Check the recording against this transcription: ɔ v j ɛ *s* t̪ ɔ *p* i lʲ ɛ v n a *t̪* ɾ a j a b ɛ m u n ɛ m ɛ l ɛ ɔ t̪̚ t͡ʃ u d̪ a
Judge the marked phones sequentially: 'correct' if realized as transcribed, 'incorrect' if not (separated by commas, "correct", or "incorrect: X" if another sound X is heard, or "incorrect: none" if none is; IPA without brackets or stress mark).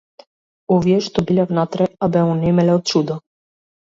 incorrect: ʃ, incorrect: b, correct